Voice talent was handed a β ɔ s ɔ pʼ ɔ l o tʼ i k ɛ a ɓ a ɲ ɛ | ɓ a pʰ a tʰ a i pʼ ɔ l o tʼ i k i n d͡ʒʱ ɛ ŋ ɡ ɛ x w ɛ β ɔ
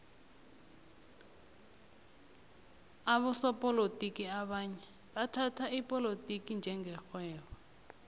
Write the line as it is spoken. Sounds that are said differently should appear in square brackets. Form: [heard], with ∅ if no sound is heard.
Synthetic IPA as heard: a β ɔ s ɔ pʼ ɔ l o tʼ i k [i] a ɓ a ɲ ɛ | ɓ a [tʰ] a tʰ a i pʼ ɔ l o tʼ i k i n d͡ʒʱ ɛ ŋ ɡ ɛ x w [ɛː] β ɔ